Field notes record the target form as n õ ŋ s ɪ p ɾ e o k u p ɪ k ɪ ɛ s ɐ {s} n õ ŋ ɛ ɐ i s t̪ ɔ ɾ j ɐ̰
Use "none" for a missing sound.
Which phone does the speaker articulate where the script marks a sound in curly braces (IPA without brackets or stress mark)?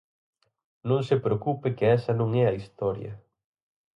none